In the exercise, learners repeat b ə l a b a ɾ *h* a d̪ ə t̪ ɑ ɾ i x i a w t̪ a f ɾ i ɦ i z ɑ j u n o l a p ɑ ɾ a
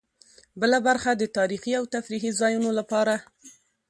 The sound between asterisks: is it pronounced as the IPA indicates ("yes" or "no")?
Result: no